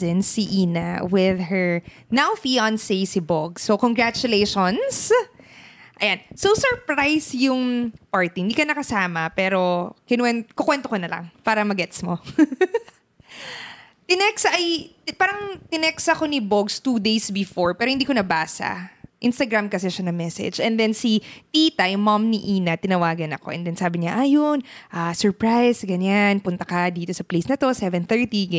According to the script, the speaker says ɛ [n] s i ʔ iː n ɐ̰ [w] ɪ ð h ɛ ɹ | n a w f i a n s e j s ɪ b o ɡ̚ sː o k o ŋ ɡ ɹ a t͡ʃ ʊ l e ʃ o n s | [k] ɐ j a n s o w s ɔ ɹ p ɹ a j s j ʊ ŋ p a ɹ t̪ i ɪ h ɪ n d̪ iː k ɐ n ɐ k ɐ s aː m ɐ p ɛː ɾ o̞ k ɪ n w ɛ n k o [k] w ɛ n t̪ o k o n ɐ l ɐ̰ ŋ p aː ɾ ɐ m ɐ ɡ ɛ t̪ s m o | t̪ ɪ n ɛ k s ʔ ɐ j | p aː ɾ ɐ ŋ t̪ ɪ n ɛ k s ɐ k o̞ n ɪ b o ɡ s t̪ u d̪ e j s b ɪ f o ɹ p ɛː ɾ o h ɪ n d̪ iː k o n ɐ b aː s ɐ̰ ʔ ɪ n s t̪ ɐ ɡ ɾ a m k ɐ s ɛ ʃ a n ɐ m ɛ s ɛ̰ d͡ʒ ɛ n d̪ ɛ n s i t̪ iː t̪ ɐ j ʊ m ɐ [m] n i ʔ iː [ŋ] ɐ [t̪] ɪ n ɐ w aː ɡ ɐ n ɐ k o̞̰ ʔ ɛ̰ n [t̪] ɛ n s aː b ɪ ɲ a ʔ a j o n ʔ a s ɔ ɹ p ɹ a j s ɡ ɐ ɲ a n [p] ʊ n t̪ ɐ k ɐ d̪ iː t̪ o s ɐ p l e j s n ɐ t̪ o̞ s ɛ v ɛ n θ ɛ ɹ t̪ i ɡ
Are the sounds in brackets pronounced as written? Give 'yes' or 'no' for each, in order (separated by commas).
yes, yes, no, yes, yes, no, yes, no, yes